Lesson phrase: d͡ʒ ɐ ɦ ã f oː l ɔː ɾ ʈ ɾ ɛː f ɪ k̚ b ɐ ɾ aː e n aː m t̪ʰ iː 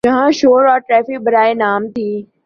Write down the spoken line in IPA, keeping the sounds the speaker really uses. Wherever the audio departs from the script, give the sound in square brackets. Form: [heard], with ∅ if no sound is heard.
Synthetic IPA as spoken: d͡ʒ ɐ ɦ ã [ʃ] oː [ɾ] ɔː ɾ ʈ ɾ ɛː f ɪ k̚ b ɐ ɾ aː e n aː m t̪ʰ iː